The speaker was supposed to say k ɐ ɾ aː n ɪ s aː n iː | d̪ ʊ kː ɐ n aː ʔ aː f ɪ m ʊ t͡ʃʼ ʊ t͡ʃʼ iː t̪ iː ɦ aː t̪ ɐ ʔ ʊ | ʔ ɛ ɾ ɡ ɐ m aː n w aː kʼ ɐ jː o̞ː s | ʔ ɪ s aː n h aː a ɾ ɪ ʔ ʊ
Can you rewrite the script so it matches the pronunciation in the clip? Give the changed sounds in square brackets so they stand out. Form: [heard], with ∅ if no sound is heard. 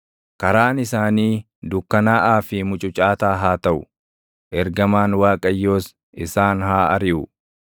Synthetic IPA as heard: k ɐ ɾ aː n ɪ s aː n iː | d̪ ʊ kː ɐ n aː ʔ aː f ɪ m ʊ t͡ʃʼ ʊ t͡ʃʼ [aː] t̪ [aː] ɦ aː t̪ ɐ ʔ ʊ | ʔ ɛ ɾ ɡ ɐ m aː n w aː kʼ ɐ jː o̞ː s | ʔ ɪ s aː n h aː [ɐ] ɾ ɪ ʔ ʊ